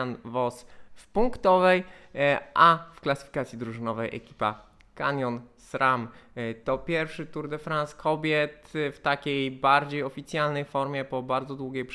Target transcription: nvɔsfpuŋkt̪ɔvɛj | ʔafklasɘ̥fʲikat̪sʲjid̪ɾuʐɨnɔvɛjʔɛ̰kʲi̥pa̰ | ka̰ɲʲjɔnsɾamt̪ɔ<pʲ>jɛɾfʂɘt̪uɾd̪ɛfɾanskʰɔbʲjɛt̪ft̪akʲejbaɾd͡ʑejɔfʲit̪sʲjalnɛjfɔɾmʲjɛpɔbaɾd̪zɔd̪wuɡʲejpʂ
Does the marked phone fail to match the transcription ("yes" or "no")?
no